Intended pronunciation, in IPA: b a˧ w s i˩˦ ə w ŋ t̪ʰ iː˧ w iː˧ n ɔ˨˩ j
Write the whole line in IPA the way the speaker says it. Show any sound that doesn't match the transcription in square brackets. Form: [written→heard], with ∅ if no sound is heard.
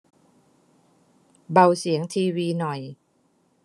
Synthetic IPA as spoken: b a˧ w s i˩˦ ə [w→∅] ŋ t̪ʰ iː˧ w iː˧ n ɔ˨˩ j